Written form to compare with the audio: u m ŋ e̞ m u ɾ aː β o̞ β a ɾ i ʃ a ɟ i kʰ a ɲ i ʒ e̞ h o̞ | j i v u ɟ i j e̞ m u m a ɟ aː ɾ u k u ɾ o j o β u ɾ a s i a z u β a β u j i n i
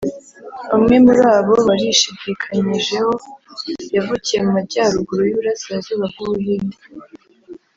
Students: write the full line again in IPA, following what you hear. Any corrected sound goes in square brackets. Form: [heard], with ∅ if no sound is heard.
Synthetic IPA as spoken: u m ŋ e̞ m u ɾ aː β o̞ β a ɾ i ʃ [i] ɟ i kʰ a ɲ i ʒ e̞ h o̞ | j [a] v u [c] i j e̞ m u m a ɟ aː ɾ u [ɡ] u ɾ o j [u] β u ɾ a s i a z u β a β u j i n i